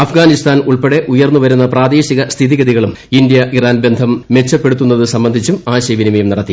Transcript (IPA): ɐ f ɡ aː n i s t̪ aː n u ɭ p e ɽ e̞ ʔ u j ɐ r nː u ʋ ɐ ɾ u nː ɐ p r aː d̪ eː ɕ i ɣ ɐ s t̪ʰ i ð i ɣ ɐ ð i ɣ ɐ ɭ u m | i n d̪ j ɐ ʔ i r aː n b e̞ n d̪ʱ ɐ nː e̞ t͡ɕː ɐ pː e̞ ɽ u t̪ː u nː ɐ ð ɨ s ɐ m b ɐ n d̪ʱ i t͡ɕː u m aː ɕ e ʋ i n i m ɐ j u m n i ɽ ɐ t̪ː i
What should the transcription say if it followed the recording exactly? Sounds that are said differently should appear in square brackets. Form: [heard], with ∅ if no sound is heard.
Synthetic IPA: ɐ f ɡ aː n i s t̪ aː n u ɭ p e ɽ e̞ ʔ u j ɐ r nː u ʋ ɐ ɾ u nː ɐ p r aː d̪ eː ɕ i ɣ ɐ s t̪ʰ i ð i ɣ ɐ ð i ɣ ɐ ɭ u m | i n d̪ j ɐ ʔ i r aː n b e̞ n d̪ʱ ɐ [mː] e̞ t͡ɕː ɐ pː e̞ ɽ u t̪ː u nː ɐ ð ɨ s ɐ m b ɐ n d̪ʱ i t͡ɕː u m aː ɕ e ʋ i n i m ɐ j u m n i ɽ ɐ t̪ː i